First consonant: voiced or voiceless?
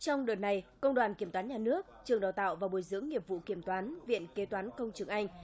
voiceless